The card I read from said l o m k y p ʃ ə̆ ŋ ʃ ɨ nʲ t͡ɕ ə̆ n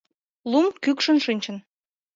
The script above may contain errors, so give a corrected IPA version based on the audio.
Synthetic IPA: l u m k y k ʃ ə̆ n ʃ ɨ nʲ t͡ɕ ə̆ n